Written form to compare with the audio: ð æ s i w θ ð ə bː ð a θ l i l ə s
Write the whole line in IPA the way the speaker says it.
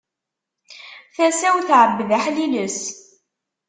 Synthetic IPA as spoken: θ æ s æ w θ ʕ ə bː ð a ħ l i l ə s